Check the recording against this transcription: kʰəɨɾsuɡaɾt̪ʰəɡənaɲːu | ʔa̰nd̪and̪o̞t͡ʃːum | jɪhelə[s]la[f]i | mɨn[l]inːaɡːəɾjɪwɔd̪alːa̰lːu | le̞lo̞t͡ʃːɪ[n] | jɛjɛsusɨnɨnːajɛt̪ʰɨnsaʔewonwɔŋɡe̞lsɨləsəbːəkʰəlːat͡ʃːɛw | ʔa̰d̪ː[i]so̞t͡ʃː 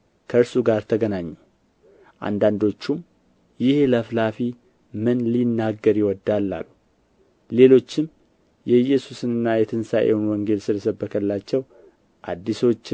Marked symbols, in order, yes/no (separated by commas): no, yes, yes, no, yes